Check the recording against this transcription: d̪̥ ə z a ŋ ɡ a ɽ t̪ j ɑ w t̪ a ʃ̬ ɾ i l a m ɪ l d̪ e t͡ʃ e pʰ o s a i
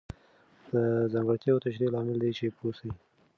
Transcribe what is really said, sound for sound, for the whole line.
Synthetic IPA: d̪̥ ə z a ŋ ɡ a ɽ t̪ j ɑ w t̪ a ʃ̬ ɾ i l ɑ m ɪ l d̪ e t͡ʃ e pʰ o s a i